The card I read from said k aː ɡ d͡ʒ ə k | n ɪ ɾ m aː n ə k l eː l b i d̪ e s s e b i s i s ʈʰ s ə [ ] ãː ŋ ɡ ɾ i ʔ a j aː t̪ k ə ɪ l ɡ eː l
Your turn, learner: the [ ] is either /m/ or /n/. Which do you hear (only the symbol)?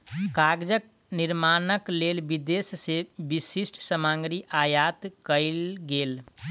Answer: m